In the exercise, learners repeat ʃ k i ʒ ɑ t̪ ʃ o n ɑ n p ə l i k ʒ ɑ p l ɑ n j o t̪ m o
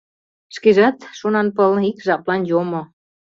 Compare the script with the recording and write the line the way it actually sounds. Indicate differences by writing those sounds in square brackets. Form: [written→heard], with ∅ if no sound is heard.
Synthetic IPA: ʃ k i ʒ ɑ t̪ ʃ o n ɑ n p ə l i k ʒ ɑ p l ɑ n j o [t̪→∅] m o